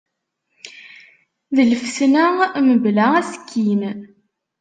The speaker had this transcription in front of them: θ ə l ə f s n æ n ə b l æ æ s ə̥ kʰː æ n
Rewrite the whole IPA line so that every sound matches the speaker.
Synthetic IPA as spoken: ð ə l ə f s n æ m ə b l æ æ s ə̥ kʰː i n